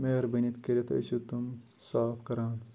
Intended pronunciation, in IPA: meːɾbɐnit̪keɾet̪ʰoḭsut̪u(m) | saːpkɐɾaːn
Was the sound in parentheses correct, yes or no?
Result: yes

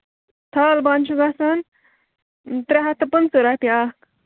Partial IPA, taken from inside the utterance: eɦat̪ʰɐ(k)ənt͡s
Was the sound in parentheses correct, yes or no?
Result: no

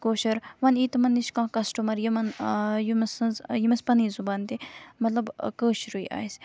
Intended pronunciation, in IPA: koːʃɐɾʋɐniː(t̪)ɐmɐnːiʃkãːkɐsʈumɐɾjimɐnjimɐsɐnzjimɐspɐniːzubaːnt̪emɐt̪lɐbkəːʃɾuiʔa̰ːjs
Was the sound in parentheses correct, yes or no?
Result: yes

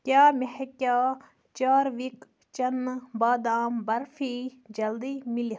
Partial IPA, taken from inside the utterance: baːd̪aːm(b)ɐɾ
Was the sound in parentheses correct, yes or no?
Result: yes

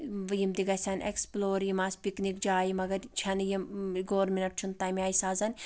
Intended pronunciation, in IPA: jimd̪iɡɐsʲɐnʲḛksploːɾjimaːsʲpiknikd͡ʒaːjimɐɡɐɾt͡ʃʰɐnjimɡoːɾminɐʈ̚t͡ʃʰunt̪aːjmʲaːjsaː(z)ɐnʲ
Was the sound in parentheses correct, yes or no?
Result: yes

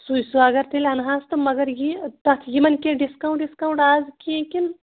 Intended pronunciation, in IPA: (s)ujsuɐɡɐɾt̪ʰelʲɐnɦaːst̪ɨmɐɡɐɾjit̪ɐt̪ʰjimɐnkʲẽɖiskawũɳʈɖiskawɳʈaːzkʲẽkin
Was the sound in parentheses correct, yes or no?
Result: yes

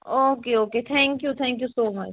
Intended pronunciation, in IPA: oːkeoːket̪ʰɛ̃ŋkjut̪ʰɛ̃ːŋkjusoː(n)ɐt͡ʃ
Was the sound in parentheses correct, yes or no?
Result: no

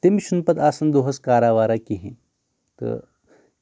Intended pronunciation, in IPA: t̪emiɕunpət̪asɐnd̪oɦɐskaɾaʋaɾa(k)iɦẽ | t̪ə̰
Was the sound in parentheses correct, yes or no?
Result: yes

